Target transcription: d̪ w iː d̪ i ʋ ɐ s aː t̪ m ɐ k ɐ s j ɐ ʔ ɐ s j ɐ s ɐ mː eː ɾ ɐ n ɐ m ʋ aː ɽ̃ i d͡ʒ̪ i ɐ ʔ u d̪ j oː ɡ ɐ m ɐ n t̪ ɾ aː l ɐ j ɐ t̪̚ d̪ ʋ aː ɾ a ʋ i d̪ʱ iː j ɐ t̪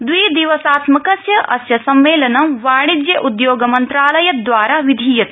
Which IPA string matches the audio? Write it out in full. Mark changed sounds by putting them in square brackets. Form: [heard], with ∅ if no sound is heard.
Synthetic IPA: d̪ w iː d̪ i ʋ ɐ s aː t̪ m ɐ k ɐ s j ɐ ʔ ɐ s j ɐ s ɐ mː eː [l] ɐ n ɐ m ʋ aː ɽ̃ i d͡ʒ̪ [j] ɐ ʔ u d̪ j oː ɡ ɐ m ɐ n t̪ ɾ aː l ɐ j ɐ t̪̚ d̪ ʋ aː ɾ a ʋ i d̪ʱ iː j ɐ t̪